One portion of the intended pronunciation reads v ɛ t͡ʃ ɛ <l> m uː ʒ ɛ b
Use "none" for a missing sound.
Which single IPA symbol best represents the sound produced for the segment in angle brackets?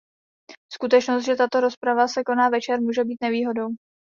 ɾ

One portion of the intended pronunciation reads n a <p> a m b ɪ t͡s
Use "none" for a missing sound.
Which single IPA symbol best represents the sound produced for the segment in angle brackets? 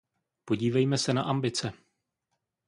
ʔ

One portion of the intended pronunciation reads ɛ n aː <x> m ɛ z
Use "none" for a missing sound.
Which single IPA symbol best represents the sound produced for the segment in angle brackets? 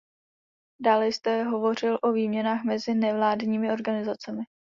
x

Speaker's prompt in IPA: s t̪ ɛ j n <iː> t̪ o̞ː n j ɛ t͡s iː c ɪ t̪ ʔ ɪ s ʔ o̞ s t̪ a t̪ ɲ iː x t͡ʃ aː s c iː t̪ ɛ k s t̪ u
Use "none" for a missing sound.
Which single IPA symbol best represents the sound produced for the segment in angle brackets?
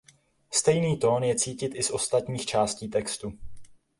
iː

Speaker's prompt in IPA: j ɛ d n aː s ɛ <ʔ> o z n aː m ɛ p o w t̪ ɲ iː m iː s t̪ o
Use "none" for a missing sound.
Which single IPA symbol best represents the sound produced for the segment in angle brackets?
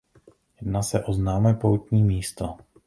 ʔ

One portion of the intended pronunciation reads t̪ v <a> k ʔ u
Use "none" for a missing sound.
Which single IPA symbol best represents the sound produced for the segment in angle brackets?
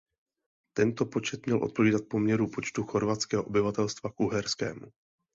a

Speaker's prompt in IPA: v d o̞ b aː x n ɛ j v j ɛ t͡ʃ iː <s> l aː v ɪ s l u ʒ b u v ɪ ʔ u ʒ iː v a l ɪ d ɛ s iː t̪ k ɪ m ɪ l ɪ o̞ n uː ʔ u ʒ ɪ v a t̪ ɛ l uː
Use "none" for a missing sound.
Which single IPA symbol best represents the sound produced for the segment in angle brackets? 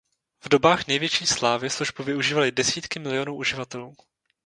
s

